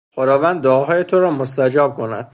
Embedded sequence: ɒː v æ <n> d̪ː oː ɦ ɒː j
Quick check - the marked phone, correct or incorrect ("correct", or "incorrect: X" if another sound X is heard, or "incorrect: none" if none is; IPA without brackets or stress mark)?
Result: correct